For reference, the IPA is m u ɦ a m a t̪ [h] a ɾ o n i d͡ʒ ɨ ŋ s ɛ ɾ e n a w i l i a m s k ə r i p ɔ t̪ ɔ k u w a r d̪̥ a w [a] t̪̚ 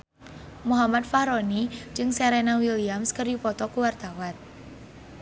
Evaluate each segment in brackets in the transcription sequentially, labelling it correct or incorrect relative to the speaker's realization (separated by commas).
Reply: incorrect, correct